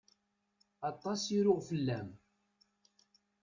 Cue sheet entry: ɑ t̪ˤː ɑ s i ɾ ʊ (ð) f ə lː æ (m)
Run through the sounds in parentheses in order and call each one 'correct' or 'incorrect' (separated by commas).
incorrect, correct